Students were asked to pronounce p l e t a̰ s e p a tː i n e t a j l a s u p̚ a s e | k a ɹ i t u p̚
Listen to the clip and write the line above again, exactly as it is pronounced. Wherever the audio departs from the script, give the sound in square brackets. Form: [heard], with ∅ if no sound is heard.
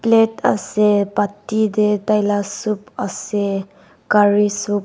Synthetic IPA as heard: p l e t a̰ s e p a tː i [d] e t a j l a s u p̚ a s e | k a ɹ i [s] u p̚